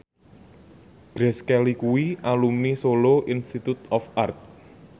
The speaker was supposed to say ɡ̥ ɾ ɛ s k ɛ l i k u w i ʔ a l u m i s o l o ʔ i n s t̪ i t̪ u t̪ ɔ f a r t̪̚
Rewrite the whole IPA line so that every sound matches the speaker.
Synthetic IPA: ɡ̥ ɾ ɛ s k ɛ l i k u w i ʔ a l u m i s o l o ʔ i n s t̪ i t̪ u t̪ ɔ f a r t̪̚